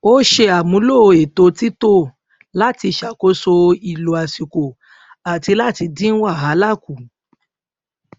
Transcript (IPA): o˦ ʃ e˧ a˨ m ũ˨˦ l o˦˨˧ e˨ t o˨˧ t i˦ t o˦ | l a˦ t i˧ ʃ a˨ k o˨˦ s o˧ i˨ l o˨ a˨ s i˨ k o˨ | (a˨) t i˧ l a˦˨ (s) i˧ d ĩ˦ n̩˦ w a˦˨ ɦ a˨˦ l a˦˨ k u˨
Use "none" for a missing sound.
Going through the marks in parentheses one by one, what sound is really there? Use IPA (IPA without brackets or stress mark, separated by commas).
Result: a˨, t